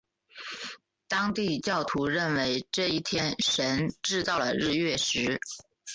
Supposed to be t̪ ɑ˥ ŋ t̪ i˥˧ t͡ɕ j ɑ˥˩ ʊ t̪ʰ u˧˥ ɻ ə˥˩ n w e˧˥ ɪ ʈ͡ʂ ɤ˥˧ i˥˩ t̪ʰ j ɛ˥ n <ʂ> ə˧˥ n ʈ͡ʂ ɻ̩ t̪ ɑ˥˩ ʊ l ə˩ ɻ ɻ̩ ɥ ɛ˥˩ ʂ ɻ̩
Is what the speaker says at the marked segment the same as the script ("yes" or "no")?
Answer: yes